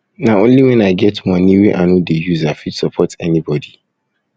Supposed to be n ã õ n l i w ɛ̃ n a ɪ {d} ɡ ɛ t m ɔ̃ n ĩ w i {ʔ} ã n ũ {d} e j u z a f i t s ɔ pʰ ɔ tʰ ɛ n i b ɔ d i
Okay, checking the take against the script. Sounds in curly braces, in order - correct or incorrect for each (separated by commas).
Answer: incorrect, correct, correct